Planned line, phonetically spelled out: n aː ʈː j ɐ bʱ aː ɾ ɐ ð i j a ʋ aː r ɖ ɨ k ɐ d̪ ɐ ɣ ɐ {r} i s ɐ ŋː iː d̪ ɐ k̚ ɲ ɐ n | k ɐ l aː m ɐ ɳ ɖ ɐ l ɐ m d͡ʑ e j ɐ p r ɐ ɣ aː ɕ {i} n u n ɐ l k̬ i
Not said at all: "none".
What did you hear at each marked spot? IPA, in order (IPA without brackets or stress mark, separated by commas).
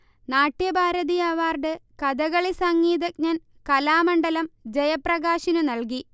ɭ, i